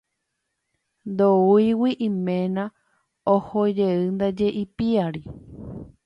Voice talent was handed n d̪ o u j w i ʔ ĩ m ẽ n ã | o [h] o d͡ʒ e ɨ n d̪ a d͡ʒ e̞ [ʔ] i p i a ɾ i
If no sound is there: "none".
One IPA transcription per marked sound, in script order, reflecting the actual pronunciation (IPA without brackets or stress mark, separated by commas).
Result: h, ʔ